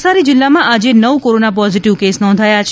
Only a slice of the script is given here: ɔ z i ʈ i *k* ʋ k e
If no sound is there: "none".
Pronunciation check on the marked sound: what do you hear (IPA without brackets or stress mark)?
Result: none